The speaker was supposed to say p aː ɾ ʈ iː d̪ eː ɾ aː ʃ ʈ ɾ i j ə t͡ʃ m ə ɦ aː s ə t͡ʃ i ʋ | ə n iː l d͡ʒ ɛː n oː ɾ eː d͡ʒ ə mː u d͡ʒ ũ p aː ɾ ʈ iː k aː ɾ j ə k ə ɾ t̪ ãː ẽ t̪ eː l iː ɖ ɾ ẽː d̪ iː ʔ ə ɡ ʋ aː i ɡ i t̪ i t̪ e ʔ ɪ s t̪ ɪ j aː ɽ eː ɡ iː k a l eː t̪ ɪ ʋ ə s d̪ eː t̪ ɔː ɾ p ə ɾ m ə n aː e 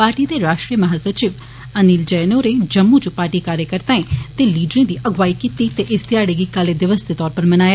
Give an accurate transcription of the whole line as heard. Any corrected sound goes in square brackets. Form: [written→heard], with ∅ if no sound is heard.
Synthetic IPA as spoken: p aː ɾ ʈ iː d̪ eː ɾ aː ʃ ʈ ɾ i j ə [t͡ʃ→∅] m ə ɦ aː s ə t͡ʃ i ʋ | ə n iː l d͡ʒ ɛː n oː ɾ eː d͡ʒ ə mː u d͡ʒ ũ p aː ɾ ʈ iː k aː ɾ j ə k ə ɾ t̪ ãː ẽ t̪ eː l iː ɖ ɾ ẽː d̪ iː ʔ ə ɡ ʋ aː i [ɡ→k] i t̪ i t̪ e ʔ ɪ s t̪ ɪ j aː ɽ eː ɡ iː k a l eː [t̪→d̪] ɪ ʋ ə s d̪ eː t̪ ɔː ɾ p ə ɾ m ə n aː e